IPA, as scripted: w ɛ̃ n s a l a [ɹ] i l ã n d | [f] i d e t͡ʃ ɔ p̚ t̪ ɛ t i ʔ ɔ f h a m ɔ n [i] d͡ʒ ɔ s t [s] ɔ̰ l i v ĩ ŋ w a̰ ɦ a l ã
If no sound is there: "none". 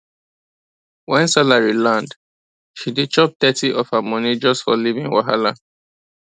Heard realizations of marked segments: ɹ, ʃ, i, f

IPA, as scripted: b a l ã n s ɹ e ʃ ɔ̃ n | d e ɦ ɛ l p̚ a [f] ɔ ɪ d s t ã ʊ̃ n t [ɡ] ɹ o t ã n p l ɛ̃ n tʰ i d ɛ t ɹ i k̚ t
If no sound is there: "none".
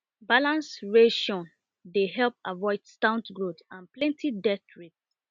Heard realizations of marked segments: v, ɡ

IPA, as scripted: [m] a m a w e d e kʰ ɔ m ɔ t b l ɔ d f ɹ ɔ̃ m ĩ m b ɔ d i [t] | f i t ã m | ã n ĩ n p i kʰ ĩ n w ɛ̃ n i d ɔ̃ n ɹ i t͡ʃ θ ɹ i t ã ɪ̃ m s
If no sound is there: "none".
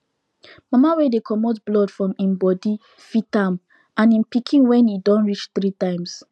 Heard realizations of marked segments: m, none

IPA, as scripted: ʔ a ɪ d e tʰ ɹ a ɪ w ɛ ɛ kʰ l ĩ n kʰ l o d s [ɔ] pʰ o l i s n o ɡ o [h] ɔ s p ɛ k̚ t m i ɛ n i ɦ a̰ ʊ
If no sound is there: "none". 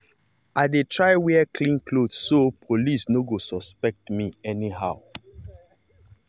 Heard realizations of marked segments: o, s

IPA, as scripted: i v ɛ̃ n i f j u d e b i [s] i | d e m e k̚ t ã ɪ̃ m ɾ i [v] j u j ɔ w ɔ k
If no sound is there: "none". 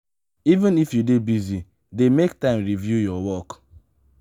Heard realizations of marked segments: z, v

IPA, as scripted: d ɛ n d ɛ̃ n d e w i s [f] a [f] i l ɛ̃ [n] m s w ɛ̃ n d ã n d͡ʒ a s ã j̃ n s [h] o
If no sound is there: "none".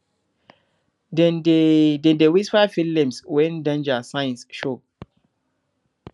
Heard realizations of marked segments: f, f, none, ʃ

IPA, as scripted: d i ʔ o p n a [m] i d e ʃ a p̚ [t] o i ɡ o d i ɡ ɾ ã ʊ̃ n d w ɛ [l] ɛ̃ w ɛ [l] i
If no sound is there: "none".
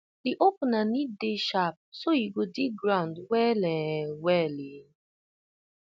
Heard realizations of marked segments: n, s, l, l

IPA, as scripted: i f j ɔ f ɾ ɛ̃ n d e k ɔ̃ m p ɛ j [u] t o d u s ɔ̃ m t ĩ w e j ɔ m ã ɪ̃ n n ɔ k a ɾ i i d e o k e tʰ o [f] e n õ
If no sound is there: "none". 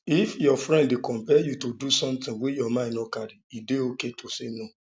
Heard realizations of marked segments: u, s

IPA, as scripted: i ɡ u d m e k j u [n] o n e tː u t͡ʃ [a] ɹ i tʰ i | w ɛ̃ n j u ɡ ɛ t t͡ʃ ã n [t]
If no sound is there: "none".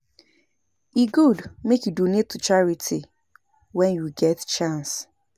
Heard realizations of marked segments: d, a, s

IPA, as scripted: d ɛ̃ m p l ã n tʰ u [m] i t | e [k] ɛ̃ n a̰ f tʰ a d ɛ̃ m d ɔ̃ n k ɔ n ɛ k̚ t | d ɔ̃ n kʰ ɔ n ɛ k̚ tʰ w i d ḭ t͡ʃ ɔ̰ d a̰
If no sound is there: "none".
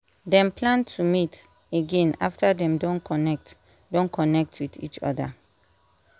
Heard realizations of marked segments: m, ɡ

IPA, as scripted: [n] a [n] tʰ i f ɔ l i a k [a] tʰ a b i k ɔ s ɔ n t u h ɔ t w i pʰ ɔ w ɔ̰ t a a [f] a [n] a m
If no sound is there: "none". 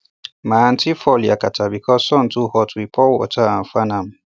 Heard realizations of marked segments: m, n, a, f, n

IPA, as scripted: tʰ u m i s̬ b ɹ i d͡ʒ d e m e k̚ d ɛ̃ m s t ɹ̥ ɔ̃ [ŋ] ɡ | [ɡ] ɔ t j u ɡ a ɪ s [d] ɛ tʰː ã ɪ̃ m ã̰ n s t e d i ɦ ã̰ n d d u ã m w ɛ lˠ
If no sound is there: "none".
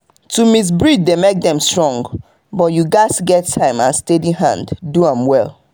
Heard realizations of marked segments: ŋ, b, ɡ

